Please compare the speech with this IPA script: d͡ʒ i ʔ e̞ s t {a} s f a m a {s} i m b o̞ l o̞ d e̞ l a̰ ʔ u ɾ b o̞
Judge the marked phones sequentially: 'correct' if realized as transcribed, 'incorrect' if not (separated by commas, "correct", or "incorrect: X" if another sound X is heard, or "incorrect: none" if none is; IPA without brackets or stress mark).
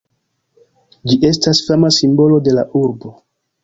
correct, correct